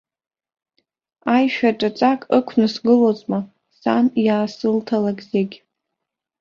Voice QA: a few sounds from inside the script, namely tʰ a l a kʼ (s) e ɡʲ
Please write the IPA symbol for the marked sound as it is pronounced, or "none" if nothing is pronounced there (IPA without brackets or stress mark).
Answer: z